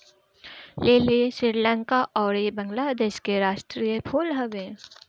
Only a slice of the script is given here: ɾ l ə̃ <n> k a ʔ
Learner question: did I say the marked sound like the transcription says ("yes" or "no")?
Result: no